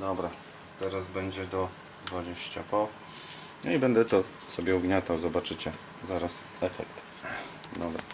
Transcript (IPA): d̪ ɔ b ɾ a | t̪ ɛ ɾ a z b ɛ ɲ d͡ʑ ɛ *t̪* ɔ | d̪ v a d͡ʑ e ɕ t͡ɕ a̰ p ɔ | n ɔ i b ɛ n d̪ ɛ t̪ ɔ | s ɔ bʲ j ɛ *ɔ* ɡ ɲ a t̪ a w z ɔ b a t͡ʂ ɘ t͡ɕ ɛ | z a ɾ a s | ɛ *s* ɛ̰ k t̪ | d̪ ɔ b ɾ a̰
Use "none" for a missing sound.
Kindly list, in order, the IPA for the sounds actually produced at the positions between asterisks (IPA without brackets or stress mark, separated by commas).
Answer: d̪, u, f